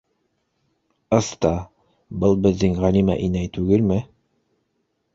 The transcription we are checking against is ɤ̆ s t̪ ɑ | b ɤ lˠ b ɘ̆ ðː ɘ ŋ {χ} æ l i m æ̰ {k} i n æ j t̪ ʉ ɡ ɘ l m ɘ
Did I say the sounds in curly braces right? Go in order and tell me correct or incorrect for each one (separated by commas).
incorrect, incorrect